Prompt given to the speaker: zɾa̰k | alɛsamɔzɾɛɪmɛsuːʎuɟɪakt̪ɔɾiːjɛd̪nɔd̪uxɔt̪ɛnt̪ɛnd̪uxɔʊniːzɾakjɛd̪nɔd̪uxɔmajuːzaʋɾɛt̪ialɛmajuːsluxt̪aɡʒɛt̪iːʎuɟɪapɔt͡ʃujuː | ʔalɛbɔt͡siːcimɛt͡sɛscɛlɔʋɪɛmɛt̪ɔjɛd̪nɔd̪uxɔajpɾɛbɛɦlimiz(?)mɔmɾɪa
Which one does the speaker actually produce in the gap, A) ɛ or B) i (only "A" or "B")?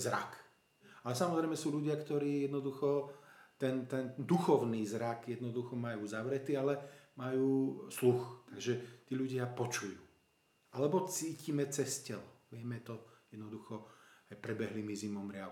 B